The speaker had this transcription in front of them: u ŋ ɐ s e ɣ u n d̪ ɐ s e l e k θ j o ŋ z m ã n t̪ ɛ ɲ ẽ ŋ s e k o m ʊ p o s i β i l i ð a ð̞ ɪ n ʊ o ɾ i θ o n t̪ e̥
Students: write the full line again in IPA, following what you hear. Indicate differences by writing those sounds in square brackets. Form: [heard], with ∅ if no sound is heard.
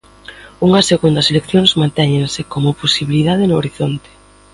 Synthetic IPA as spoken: u ŋ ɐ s e ɣ u n d̪ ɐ s e l e k θ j o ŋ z m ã n t̪ ɛ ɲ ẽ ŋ s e k o m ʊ p o s i β i l i ð a ð̞ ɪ n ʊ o ɾ i θ o n t̪ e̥